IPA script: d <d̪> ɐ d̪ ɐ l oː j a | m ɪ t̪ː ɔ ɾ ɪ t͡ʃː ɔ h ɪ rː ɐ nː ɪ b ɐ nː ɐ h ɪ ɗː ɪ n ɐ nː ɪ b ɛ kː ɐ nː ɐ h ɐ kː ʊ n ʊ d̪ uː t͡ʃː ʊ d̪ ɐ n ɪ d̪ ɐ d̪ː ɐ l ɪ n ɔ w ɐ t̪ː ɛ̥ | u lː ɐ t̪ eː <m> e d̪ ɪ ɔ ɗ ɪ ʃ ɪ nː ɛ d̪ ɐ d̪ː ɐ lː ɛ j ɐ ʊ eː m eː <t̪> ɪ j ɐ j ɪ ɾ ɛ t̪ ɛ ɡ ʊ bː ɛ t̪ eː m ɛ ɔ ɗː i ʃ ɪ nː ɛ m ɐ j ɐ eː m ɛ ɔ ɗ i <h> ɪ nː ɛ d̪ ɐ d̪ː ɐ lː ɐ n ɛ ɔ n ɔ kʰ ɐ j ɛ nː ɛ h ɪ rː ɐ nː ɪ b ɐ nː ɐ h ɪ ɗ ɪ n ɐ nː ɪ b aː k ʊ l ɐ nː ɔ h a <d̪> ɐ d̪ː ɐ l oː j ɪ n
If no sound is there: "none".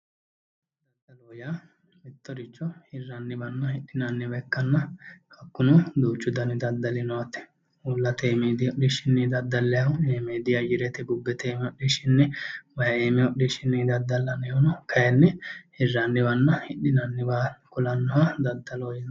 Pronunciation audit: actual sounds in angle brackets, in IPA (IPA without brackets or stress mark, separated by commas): d̪, m, d̪, ʃ, d̪